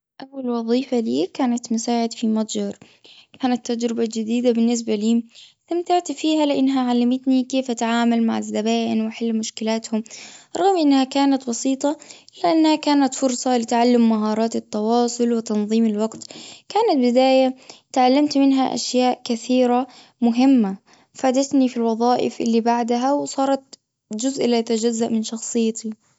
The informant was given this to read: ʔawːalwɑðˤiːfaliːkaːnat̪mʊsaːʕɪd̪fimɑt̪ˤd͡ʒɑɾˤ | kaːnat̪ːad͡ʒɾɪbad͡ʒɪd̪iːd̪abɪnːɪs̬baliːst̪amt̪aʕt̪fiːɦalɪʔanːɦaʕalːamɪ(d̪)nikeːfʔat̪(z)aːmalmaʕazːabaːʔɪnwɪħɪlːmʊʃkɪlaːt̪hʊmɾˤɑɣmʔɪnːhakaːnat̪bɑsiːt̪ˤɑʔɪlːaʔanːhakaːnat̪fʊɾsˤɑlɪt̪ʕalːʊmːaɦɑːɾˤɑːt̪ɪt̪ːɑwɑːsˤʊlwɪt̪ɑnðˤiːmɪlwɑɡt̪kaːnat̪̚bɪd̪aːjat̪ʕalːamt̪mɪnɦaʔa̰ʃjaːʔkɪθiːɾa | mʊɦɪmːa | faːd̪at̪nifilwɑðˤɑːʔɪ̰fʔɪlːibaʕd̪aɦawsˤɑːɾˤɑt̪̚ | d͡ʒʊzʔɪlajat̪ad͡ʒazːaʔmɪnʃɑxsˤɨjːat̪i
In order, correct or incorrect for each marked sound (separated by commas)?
incorrect, incorrect